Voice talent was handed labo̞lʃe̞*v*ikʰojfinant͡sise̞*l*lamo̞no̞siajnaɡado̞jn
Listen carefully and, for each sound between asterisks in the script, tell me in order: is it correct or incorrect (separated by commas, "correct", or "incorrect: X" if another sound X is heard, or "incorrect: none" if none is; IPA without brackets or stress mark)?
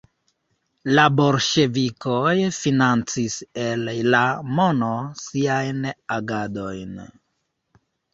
correct, correct